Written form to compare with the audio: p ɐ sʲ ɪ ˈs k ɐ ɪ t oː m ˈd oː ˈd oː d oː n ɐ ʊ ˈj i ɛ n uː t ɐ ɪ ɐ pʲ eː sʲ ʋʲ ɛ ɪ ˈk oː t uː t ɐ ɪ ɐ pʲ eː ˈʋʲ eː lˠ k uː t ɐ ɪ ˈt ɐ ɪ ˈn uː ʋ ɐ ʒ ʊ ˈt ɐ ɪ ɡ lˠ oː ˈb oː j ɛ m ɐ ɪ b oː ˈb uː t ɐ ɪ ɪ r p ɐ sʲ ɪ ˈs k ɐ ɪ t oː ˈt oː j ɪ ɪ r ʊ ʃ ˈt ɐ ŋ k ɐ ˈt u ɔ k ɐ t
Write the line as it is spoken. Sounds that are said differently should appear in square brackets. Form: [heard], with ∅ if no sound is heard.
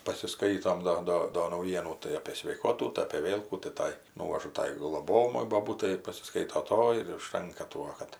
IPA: p ɐ sʲ ɪ ˈs k ɐ ɪ t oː m ˈd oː ˈd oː d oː n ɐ ʊ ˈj i ɛ n uː t ɐ ɪ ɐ pʲ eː sʲ ʋʲ ɛ ɪ ˈk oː t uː t ɐ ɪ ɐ pʲ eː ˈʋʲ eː lˠ k uː t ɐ ɪ ˈt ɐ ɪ ˈn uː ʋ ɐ ʒ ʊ ˈt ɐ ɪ ɡ lˠ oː ˈb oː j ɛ m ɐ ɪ b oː ˈb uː t ɐ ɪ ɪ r p ɐ sʲ ɪ ˈs k ɐ ɪ t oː ˈt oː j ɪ ɪ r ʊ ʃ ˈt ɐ ŋ k ɐ ˈt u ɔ k ɐ t